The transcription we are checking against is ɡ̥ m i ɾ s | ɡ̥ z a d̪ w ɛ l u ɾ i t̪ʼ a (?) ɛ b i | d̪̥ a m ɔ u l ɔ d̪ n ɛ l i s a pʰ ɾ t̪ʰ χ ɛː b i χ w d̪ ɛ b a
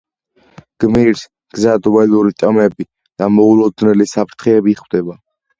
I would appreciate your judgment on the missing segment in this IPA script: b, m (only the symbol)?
m